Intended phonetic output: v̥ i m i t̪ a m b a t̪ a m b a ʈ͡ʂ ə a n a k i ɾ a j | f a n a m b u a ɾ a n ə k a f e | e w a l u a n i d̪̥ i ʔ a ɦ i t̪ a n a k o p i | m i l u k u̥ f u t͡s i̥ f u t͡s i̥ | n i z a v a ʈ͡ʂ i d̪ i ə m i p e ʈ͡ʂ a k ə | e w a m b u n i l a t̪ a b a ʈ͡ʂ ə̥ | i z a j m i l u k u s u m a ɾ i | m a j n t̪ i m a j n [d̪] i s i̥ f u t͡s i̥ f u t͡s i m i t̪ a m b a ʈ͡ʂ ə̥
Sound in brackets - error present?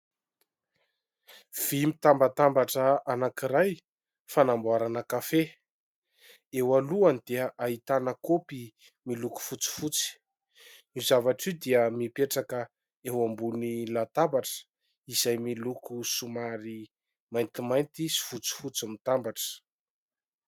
yes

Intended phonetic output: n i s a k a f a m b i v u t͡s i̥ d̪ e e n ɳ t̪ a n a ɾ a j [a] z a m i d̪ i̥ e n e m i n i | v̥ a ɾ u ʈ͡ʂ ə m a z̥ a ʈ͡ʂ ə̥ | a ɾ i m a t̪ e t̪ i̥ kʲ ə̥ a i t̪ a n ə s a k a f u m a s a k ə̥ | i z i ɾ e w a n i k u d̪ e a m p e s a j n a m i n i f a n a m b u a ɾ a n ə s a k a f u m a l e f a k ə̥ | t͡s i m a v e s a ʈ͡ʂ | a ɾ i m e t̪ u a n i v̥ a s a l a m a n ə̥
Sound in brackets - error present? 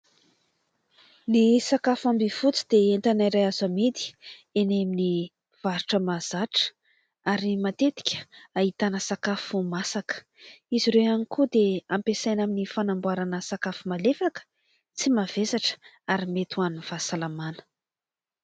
no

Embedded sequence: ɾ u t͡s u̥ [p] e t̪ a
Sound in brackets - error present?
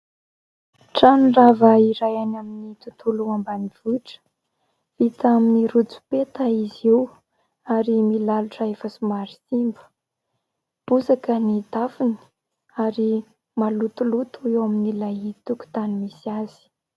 no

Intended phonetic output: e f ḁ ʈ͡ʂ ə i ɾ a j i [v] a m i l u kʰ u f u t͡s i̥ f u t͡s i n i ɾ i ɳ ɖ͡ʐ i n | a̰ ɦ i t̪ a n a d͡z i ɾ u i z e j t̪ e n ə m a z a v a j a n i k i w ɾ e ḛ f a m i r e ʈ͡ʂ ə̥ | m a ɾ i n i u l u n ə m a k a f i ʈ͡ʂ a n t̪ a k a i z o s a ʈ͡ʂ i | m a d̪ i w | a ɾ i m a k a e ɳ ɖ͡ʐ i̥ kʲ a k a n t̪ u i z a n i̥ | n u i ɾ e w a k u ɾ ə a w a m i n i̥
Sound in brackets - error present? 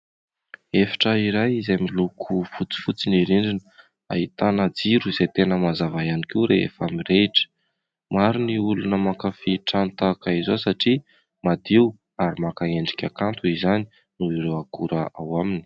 yes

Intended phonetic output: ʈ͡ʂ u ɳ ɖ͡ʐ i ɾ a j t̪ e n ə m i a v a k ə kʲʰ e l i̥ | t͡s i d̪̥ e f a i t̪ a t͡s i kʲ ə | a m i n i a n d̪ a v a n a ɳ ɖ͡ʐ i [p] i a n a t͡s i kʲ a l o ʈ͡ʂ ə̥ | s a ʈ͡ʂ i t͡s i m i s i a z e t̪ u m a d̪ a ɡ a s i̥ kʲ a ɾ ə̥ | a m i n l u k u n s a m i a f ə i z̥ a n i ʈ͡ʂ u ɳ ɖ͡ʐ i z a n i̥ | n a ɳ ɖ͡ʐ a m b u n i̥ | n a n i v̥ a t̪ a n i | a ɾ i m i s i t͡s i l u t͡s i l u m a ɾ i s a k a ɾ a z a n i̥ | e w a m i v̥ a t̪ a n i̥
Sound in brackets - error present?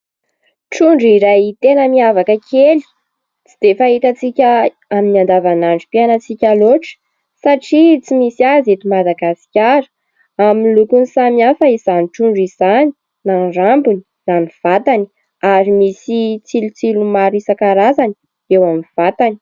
no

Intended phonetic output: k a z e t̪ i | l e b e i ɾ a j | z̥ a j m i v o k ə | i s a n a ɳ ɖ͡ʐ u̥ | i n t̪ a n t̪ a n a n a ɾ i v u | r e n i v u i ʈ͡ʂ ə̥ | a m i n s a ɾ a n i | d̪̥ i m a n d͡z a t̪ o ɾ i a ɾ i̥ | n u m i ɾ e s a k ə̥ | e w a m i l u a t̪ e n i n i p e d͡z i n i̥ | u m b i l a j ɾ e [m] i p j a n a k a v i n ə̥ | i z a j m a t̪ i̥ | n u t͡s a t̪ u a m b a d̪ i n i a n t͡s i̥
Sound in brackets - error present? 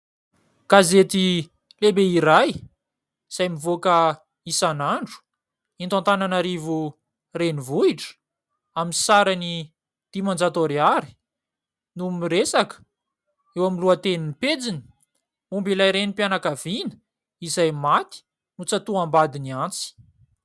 yes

